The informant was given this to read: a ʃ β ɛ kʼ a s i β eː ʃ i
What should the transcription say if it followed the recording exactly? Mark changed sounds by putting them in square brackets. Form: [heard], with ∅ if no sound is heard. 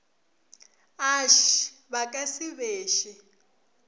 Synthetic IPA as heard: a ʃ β [a] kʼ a s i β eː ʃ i